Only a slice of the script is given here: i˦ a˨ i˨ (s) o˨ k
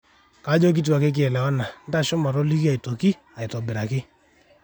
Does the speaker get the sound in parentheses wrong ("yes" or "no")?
yes